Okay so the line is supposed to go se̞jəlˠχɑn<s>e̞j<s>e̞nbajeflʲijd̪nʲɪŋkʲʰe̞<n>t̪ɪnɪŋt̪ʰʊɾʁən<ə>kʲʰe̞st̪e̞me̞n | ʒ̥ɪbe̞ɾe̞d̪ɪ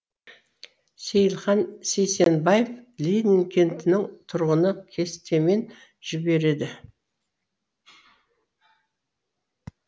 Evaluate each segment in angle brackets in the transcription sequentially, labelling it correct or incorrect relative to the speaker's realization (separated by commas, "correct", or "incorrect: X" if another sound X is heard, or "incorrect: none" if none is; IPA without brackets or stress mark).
correct, correct, correct, correct